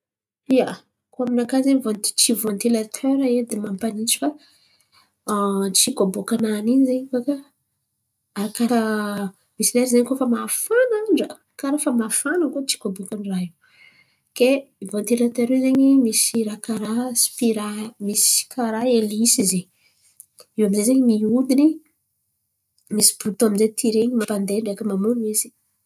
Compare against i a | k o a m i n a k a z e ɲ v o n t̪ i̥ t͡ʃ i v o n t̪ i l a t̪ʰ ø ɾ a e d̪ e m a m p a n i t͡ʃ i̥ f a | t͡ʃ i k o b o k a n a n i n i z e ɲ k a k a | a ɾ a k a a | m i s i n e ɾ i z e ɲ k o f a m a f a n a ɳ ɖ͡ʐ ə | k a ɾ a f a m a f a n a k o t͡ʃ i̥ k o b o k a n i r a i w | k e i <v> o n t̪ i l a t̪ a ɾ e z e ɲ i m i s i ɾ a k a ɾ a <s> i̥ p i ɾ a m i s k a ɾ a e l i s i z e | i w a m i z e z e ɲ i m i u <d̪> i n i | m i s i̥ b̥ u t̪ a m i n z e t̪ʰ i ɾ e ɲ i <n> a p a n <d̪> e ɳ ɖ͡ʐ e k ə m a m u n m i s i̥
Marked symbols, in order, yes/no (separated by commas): yes, yes, yes, no, yes